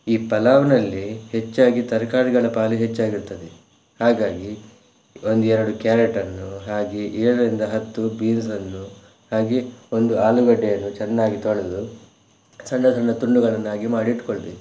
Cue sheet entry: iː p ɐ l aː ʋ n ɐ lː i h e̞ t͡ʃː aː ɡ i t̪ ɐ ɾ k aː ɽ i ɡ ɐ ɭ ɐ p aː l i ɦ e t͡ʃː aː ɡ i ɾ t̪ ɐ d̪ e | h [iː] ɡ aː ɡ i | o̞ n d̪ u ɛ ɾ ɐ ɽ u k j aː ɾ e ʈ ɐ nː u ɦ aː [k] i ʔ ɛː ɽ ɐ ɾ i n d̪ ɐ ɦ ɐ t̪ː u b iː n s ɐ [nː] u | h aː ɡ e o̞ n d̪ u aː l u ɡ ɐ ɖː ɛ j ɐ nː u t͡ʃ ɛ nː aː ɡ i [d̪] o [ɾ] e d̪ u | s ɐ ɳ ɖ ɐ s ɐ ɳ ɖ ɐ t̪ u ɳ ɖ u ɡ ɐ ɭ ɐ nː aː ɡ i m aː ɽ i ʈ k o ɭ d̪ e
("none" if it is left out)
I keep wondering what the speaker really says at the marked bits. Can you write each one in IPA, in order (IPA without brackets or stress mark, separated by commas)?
aː, ɡ, nː, t̪, ɭ